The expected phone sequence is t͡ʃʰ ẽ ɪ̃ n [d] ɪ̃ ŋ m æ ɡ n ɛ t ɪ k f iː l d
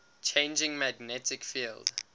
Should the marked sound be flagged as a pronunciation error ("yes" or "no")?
yes